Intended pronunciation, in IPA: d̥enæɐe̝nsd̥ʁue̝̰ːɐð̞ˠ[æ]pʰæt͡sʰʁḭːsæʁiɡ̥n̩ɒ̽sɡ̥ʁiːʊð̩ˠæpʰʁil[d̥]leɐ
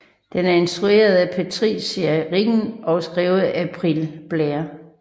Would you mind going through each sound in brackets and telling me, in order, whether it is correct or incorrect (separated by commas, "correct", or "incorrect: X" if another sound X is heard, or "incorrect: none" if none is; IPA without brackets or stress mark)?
correct, incorrect: b̥